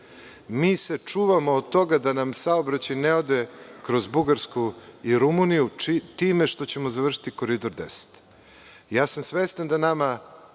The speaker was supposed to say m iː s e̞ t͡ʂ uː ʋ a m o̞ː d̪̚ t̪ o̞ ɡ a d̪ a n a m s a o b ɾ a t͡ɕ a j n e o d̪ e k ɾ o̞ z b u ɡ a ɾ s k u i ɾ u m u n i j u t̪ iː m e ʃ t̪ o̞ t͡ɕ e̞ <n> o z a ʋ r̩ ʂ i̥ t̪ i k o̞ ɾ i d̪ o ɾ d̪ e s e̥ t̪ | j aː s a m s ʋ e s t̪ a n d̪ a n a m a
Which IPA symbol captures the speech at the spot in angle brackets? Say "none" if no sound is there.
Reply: m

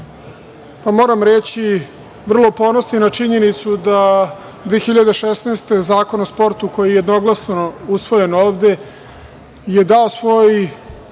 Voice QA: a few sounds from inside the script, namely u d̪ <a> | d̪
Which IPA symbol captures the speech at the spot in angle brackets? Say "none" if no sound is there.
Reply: a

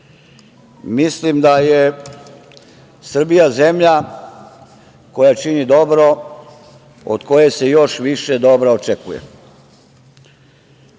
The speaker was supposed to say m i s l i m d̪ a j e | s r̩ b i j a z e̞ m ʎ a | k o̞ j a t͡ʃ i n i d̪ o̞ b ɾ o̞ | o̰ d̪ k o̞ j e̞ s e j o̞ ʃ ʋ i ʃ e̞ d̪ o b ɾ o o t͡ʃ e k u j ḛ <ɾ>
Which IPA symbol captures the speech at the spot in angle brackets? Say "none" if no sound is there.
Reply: none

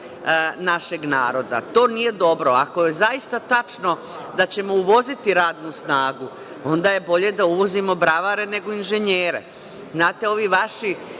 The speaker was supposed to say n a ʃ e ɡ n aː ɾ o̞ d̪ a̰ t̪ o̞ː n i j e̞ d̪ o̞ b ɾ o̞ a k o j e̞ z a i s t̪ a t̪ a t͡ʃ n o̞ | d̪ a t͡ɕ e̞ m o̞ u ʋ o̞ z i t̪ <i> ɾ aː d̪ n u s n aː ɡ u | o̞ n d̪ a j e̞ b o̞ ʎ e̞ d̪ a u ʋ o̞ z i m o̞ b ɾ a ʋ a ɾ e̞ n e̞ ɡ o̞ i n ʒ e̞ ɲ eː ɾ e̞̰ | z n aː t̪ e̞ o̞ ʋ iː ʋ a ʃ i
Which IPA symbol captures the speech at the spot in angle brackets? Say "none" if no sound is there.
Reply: i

